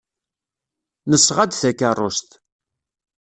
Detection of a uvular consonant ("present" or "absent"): present